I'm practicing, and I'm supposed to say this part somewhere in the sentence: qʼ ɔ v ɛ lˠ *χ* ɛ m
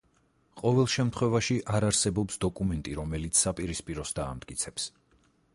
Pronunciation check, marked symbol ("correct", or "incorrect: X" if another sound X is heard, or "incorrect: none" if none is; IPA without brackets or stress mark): incorrect: ʃ